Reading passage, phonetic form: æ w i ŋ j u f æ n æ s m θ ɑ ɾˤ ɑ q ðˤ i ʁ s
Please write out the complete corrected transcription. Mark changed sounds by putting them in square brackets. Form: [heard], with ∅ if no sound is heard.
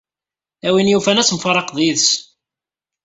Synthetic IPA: æ w i [n] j u f æ n æ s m [f] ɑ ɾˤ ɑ q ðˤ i [ð] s

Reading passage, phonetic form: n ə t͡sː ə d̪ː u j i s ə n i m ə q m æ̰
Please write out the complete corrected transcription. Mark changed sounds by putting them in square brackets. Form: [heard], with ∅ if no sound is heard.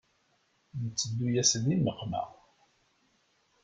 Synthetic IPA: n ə t͡sː ə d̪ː u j [æ] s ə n i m ə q m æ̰

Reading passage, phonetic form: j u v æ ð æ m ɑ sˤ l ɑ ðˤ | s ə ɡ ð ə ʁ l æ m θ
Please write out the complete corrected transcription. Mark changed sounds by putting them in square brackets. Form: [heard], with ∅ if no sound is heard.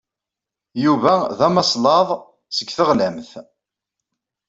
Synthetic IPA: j u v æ ð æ m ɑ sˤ l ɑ ðˤ | s ə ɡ [θ] ə ʁ l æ m θ

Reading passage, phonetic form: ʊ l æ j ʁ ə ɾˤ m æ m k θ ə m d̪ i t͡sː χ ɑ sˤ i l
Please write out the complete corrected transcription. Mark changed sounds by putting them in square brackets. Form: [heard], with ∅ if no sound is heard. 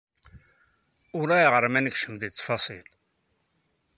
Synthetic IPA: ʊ [ɾ] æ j ʁ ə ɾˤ m æ [n] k [ʃ] ə m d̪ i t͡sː [f] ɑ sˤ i l

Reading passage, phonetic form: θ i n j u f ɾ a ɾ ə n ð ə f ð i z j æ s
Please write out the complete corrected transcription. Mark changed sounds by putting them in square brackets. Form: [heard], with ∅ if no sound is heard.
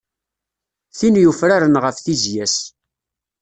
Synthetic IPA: θ i n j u f ɾ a ɾ ə n [ʁ] ə f [θ] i z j æ s

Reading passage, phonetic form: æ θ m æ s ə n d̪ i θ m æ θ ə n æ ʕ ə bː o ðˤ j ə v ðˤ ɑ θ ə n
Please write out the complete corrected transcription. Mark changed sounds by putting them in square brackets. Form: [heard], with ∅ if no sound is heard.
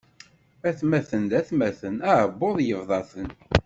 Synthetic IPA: æ θ m æ [θ] ə n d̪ [æ] θ m æ θ ə n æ ʕ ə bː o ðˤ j ə v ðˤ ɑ θ ə n

